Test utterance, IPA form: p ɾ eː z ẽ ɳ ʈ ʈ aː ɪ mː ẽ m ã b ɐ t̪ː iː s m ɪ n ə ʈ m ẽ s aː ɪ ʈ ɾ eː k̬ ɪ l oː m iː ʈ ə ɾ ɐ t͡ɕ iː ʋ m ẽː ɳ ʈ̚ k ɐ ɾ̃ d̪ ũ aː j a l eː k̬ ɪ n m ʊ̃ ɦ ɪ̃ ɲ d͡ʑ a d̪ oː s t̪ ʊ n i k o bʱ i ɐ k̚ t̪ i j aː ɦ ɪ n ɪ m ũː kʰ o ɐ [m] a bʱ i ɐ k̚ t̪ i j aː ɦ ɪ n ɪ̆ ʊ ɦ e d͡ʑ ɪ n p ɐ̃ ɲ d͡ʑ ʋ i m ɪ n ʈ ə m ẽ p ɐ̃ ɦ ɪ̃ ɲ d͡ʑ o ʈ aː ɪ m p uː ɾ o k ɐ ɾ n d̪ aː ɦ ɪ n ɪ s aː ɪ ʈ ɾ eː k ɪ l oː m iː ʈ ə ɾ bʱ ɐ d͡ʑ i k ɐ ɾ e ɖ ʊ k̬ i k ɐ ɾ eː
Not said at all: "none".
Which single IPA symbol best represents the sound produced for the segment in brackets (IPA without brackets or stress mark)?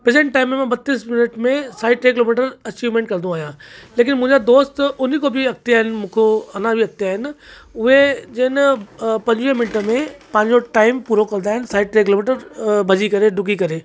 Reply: n